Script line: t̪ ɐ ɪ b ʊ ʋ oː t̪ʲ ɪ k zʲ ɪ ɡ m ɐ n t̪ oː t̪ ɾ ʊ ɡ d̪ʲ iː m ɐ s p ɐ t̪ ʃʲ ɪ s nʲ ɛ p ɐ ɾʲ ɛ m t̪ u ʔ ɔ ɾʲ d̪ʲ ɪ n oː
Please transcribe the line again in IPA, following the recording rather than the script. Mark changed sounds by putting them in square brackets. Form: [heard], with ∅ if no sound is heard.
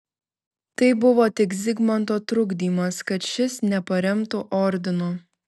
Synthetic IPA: t̪ ɐ ɪ b ʊ ʋ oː t̪ʲ ɪ k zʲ ɪ ɡ m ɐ n t̪ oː t̪ ɾ ʊ ɡ d̪ʲ iː m ɐ s [k] ɐ t̪ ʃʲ ɪ s nʲ ɛ p ɐ ɾʲ ɛ m t̪ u ʔ ɔ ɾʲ d̪ʲ ɪ n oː